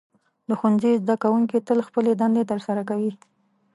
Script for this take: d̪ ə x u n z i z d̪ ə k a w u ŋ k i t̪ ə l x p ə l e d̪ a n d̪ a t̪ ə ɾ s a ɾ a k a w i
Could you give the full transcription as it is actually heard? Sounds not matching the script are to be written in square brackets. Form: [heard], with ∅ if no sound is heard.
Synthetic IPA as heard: d̪ ə x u n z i z d̪ [a] k a w u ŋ k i t̪ ə l x p ə l e d̪ a n d̪ [e] t̪ ə ɾ s a ɾ a k a w i